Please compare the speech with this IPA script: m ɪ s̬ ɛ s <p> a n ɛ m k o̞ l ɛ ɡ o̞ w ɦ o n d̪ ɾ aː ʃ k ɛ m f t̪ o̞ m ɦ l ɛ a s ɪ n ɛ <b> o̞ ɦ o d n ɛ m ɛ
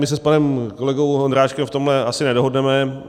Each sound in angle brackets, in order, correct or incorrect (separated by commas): correct, incorrect